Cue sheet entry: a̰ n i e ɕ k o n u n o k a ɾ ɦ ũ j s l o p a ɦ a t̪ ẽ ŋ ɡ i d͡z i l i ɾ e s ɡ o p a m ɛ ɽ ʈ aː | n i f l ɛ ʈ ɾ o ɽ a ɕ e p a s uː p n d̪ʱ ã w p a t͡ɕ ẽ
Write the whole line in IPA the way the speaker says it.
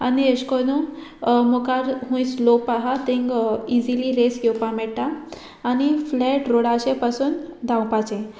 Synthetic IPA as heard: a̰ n i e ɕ k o n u m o k a ɾ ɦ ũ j s l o p a ɦ a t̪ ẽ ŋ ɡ i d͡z i l i ɾ e s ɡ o p a m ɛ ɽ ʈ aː | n i f l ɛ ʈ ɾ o ɽ a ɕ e p a s uː n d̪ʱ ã w p a t͡ɕ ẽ